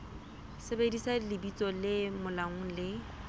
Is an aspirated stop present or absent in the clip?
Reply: absent